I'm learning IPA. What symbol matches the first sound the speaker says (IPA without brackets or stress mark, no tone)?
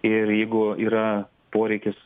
ɪ